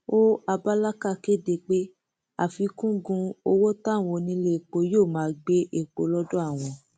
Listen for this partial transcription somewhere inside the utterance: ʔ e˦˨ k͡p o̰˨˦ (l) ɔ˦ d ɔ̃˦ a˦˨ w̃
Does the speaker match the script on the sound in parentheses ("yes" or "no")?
yes